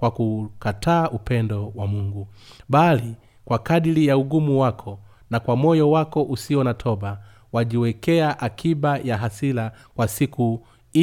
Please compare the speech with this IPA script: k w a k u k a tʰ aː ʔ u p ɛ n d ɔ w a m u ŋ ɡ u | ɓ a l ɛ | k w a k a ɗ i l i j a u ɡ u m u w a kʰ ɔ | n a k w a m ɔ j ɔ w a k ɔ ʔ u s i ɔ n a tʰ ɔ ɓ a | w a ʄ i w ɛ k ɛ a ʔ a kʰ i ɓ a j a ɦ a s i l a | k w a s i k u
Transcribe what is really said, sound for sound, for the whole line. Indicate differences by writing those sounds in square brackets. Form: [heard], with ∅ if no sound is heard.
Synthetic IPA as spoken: k w a k u k a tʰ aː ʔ u p ɛ n d ɔ w a m u ŋ ɡ u | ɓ a l [i] | k w a k a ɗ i l i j a u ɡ u m u w a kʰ ɔ | n a k w a m ɔ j ɔ w a k ɔ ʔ u s i ɔ n a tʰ ɔ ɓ a | w a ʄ i w ɛ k ɛ a ʔ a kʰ i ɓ a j a ɦ a s i l a | k w a s i k u